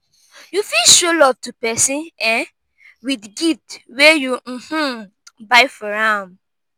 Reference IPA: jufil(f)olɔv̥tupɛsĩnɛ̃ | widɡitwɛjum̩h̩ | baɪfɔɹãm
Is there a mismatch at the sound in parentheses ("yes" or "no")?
yes